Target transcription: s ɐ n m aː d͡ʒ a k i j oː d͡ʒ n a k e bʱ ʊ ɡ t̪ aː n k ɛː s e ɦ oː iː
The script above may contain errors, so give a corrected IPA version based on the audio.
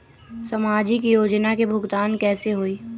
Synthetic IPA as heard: s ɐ m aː d͡ʒ i k i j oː d͡ʒ n a k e bʱ ʊ ɡ t̪ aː n k ɛː s e ɦ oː iː